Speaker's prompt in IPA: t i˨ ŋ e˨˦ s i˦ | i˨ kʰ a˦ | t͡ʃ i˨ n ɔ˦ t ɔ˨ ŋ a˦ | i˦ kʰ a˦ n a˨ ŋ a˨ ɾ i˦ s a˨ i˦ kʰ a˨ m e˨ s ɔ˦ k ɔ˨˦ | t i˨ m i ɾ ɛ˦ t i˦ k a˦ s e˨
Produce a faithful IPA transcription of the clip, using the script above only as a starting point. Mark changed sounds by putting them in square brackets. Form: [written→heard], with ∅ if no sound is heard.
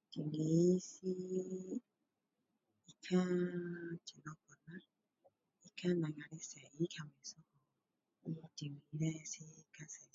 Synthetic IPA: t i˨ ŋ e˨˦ s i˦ | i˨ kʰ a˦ | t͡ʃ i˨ n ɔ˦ [t→k] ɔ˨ [ŋ→n] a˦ | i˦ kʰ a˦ n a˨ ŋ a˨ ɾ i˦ s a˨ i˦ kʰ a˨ m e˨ s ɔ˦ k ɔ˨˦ | t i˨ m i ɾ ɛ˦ [t→s] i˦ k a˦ s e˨